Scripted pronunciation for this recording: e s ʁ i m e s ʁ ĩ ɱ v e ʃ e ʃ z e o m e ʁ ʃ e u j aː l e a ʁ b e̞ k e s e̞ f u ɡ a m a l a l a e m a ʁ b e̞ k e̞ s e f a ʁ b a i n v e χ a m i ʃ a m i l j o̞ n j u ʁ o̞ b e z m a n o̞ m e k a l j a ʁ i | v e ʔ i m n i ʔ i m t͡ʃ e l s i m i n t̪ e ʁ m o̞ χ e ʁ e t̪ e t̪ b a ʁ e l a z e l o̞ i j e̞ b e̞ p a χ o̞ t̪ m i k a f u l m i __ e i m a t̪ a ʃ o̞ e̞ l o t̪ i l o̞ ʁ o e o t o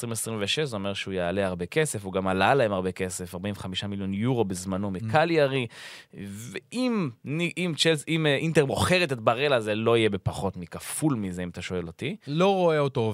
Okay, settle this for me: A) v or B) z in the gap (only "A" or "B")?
B